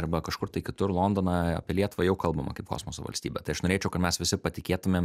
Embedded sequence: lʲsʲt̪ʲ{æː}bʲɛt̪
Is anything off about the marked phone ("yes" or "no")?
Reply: yes